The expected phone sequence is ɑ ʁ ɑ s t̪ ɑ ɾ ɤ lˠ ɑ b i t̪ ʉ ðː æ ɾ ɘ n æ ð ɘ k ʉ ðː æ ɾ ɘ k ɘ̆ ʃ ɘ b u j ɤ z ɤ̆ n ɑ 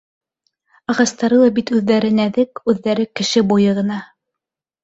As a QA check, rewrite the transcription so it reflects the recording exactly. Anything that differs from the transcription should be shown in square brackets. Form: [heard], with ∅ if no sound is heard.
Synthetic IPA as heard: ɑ ʁ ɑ s t̪ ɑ ɾ ɤ lˠ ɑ b i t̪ ʉ ðː æ ɾ ɘ n æ ð ɘ k ʉ ðː æ ɾ ɘ k ɘ̆ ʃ ɘ b u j ɤ [ʁ] ɤ̆ n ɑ